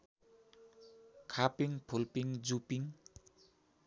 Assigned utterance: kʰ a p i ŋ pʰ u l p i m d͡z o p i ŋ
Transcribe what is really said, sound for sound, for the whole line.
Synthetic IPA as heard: kʰ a p i ŋ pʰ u l p i ŋ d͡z u p i ŋ

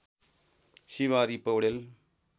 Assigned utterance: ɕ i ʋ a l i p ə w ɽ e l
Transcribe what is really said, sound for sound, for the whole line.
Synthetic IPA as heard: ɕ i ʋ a ɾ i p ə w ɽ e l

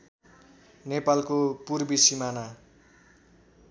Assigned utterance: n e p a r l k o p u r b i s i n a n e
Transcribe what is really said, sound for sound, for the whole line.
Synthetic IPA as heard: n e p a l k o p u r b i s i m a n a

